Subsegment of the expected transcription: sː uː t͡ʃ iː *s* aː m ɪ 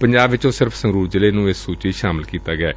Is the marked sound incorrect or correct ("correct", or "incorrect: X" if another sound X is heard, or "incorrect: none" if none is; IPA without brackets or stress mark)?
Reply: incorrect: ʃ